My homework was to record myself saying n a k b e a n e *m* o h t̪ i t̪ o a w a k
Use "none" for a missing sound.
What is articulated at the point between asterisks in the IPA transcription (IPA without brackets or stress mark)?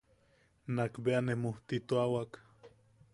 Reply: m